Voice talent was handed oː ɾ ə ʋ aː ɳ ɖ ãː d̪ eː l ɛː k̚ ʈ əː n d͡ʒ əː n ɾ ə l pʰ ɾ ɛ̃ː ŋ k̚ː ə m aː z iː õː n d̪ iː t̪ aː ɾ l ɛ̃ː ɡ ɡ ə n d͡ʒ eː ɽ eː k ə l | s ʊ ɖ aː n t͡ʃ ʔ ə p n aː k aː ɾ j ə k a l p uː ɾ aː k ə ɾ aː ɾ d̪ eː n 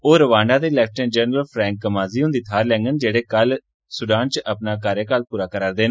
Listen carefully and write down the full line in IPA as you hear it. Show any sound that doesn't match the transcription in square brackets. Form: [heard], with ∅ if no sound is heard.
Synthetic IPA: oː ɾ ə ʋ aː ɳ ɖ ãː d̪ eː l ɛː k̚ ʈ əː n d͡ʒ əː n ɾ ə l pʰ ɾ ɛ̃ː ŋ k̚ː ə m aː z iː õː n d̪ iː [t̪ʰ] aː ɾ l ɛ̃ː [ŋ] ɡ ə n d͡ʒ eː ɽ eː k ə l | s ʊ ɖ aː n t͡ʃ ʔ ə p n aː k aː ɾ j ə k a l p uː ɾ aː k ə ɾ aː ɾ d̪ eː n